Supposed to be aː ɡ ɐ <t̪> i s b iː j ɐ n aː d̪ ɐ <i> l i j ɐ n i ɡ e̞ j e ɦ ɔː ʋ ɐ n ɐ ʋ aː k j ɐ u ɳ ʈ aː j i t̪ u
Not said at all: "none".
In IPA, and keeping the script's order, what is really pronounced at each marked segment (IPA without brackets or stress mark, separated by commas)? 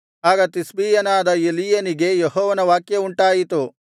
t̪, e